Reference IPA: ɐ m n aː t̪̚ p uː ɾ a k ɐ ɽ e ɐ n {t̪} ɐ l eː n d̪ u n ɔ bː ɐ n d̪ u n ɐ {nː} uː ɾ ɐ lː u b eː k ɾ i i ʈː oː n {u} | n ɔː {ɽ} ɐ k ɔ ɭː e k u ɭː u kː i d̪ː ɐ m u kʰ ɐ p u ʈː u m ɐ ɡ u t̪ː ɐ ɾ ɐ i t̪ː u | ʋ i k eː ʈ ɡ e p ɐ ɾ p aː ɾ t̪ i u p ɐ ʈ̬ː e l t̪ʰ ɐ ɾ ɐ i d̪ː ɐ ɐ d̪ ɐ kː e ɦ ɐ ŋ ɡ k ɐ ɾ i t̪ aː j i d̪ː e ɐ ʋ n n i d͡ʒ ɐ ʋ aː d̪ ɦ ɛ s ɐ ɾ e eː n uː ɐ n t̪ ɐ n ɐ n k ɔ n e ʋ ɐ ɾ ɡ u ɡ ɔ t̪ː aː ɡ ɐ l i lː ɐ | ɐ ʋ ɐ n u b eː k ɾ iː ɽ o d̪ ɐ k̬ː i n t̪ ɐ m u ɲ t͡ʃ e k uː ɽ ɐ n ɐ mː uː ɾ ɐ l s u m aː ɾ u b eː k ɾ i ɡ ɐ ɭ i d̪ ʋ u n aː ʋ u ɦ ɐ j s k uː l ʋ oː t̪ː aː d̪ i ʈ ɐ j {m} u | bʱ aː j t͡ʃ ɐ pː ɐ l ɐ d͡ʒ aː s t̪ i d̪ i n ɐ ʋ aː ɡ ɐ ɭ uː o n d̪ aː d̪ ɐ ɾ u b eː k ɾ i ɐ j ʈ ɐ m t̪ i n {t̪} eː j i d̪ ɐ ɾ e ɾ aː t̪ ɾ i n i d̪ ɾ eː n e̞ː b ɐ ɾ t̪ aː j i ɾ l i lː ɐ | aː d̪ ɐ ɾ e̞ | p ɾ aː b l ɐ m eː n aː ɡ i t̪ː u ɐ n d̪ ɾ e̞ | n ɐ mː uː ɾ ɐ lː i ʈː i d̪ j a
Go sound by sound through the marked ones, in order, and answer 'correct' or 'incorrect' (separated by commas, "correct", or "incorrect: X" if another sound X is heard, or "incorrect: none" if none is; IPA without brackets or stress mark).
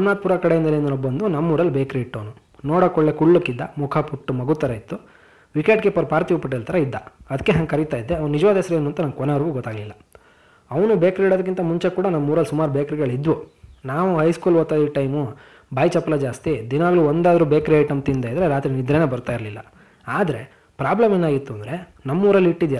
incorrect: d̪, incorrect: mː, correct, correct, correct, incorrect: d̪